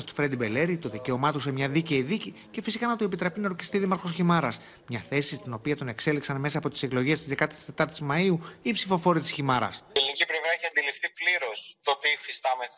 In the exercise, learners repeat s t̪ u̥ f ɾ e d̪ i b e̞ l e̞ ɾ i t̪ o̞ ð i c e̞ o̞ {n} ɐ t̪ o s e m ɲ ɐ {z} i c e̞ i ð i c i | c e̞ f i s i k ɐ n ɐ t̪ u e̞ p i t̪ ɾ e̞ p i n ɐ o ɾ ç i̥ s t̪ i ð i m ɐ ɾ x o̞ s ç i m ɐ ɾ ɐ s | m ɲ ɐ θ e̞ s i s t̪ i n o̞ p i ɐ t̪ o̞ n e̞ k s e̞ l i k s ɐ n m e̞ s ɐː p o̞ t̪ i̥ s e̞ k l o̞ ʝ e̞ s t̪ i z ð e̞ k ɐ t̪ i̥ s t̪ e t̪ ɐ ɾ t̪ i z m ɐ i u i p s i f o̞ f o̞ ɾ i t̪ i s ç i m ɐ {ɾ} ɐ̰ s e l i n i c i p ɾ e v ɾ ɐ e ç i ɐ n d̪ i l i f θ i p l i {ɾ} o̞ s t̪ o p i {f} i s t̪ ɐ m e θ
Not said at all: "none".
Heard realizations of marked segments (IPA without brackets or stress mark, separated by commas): m, ð, ɾ, ɾ, f